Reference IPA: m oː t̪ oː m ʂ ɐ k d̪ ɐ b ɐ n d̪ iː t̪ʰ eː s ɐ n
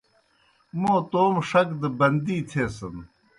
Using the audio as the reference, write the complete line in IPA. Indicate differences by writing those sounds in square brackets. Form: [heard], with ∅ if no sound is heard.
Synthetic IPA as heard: m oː t̪ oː m ʂ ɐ k d̪ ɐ b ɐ n d̪ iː t̪ʰ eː s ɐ n